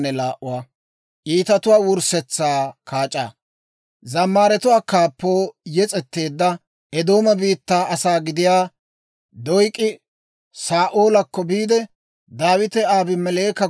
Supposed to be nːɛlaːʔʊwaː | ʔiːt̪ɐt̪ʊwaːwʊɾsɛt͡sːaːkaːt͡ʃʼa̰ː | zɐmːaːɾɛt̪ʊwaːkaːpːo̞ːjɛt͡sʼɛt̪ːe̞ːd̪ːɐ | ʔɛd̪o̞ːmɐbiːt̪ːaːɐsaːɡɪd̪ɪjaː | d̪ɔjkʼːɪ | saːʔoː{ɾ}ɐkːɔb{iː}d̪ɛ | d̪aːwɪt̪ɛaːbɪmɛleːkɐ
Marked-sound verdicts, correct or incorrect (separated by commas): incorrect, correct